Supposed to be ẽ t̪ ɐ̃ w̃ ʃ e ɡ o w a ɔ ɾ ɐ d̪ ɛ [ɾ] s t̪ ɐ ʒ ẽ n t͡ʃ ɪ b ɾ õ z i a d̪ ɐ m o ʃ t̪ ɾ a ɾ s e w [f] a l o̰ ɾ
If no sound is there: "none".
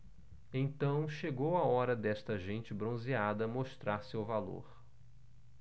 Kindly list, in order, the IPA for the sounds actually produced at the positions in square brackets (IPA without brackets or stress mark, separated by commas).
none, v